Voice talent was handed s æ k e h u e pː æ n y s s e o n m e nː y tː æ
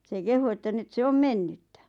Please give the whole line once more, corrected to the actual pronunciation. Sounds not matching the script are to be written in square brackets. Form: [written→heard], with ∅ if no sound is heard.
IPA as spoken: s [æ→e] k e h u e [pː→tː] æ n y [s→t] s e o [n→m] m e nː y tː æ